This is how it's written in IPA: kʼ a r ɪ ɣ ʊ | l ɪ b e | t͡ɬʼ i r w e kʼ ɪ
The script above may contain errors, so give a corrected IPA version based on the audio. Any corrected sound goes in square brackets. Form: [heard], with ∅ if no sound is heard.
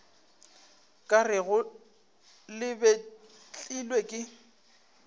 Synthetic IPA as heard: kʼ a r ɪ ɣ ʊ | l ɪ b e | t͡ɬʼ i [l] w e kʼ ɪ